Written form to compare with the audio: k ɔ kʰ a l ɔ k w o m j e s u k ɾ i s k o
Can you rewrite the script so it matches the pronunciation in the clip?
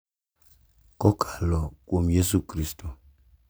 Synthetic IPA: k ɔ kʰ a l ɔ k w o m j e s u k ɾ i s t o